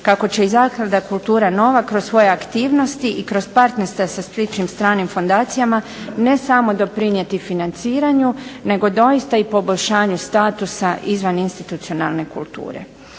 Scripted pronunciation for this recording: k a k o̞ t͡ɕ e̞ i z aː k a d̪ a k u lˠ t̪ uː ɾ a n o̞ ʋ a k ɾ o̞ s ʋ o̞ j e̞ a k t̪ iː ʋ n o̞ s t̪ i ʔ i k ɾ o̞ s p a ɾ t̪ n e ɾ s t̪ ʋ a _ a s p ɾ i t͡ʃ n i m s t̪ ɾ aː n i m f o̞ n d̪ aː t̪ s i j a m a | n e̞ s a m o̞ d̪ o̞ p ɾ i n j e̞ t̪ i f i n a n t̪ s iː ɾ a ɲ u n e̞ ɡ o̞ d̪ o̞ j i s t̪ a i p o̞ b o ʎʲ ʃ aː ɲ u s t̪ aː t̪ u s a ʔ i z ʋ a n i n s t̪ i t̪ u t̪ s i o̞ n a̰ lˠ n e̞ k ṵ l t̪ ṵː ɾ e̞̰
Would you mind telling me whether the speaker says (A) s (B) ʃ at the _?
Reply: A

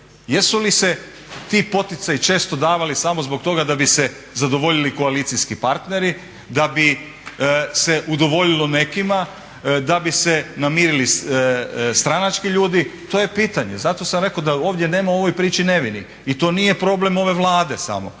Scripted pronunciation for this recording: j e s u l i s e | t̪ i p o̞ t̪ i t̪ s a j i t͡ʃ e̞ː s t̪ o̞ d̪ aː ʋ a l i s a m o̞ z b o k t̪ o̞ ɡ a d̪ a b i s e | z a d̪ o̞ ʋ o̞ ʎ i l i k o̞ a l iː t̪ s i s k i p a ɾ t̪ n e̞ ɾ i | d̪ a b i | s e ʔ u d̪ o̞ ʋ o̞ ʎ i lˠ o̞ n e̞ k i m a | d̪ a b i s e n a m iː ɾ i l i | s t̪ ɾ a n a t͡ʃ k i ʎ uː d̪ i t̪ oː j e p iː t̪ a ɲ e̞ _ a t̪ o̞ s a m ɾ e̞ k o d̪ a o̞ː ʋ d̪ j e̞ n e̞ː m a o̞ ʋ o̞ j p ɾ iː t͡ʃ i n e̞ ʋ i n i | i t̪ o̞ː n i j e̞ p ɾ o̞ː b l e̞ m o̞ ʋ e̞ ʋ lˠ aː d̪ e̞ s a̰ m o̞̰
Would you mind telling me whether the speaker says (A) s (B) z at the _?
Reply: B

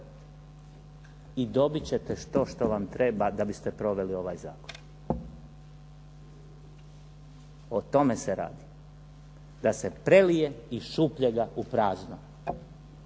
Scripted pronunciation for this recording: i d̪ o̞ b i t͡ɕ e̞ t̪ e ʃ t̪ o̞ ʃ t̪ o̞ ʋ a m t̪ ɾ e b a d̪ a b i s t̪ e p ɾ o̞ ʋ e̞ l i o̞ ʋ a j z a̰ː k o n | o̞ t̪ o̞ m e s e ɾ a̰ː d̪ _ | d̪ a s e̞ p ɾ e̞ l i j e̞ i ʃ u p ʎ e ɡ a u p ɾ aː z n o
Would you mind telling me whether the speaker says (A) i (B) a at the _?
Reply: A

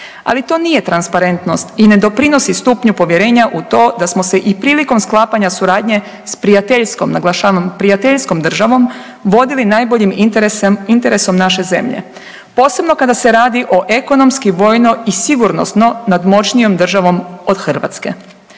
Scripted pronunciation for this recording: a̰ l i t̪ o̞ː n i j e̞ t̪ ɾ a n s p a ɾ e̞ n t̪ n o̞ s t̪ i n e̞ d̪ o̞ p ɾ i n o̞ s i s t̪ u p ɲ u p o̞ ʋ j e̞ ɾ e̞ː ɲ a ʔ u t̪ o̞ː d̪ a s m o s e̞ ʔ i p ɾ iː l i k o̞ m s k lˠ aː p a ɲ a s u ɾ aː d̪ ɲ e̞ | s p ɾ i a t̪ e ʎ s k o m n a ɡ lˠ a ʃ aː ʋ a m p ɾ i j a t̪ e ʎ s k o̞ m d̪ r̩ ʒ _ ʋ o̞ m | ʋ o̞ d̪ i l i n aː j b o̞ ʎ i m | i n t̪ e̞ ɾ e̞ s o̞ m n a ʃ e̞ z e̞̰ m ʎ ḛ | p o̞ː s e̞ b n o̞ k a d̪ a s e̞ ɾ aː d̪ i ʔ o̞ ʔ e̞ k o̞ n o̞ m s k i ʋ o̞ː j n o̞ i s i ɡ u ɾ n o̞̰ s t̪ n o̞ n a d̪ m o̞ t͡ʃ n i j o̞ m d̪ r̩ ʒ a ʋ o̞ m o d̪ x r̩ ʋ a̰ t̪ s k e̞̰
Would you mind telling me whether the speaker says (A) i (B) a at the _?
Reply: B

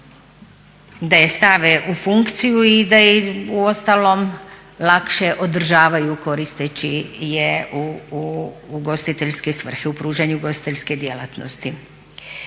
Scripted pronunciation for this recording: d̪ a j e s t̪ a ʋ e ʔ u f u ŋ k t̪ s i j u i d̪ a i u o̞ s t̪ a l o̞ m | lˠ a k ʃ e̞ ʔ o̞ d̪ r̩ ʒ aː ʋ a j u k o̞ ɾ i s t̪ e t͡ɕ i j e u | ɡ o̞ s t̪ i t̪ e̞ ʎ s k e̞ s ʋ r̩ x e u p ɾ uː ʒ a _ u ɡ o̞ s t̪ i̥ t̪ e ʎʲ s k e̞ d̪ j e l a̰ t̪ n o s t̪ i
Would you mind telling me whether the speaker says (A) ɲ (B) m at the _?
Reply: A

